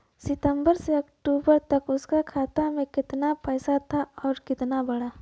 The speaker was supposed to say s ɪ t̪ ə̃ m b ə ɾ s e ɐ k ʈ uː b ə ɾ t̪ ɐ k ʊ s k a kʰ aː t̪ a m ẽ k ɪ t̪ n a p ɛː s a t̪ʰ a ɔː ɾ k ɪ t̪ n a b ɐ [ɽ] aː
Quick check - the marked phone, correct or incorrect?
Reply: correct